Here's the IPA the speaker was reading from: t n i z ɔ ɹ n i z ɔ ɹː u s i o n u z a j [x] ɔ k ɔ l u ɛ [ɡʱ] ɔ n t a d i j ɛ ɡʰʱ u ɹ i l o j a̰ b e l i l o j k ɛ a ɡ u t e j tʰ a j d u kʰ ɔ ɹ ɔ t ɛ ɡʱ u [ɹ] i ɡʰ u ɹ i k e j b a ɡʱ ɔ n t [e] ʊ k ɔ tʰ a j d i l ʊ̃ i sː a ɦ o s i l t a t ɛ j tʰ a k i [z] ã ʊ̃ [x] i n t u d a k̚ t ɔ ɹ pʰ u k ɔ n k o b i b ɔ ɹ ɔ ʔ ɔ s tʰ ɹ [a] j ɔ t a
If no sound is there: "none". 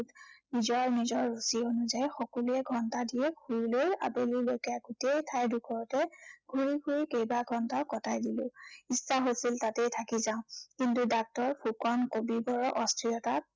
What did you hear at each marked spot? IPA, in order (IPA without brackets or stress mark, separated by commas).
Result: x, ɡʱ, ɹ, a, z, k, i